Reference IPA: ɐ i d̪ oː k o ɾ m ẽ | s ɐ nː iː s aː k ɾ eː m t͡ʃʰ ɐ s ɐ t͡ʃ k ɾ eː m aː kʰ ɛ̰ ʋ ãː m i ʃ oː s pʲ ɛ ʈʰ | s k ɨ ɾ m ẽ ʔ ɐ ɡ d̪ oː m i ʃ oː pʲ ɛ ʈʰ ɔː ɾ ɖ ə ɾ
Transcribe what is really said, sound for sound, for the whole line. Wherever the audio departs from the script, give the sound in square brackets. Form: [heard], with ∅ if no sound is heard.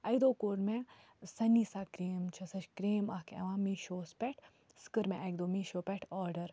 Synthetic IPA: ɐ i d̪ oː k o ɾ m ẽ | s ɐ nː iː s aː k ɾ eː m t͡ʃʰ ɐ s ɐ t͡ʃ k ɾ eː m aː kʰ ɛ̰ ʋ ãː m i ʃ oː s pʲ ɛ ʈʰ | s k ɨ ɾ m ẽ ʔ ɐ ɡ d̪ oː m i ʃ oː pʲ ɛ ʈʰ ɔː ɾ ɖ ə ɾ